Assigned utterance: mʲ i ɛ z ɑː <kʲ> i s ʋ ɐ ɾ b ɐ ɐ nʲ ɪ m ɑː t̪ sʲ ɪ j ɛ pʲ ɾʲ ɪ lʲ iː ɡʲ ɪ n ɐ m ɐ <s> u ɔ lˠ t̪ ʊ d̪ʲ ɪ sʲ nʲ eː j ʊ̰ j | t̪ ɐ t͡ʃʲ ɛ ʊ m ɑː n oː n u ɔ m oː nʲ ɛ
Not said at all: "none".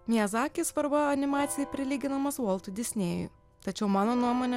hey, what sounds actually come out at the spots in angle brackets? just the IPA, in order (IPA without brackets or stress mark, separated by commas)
kʲ, s